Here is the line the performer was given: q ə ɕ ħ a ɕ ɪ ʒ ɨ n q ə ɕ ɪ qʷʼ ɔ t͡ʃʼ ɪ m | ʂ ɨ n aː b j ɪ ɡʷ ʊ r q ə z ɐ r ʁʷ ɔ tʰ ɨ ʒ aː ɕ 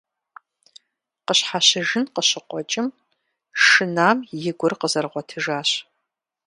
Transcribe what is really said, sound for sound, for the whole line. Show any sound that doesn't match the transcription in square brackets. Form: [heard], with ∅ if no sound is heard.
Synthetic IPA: q ə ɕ ħ a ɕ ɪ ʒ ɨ n q ə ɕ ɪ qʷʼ ɔ t͡ʃʼ ɪ m | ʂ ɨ n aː [m] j ɪ ɡʷ ʊ r q ə z ɐ r ʁʷ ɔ tʰ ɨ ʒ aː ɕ